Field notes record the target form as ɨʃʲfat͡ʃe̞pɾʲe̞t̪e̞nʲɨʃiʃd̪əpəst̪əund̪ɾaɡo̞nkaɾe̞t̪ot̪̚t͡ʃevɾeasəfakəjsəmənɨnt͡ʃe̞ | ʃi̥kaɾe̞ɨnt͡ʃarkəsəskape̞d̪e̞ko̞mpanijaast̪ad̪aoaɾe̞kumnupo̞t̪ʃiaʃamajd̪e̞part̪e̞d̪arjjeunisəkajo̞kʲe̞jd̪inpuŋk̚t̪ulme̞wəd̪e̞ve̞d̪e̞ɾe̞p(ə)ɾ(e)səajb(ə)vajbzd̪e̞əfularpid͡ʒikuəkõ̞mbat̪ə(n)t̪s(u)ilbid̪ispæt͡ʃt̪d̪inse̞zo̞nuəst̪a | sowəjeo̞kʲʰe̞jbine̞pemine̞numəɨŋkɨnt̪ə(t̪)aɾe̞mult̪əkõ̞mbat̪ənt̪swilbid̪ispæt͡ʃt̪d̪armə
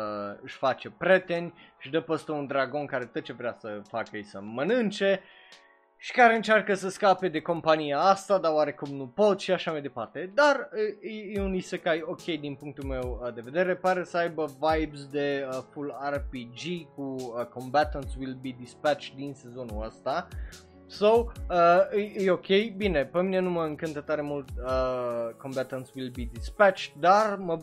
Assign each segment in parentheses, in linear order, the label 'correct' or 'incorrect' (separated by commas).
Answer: incorrect, correct, correct, correct, incorrect, correct